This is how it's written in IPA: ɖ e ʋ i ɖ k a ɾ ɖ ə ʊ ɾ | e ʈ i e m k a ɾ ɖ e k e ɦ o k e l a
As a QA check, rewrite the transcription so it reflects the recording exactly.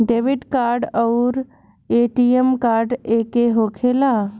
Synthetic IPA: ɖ e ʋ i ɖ k a ɾ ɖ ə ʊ ɾ | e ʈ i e m k a ɾ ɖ e k e ɦ o kʰ e l a